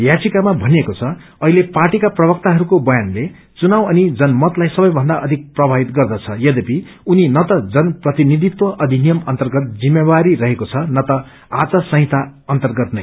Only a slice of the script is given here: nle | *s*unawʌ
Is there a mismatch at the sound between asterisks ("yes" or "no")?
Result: yes